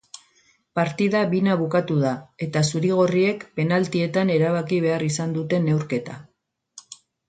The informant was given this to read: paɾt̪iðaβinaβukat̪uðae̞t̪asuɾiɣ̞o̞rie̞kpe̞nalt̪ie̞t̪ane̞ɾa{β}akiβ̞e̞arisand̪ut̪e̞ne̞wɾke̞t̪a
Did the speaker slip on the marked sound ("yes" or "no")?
no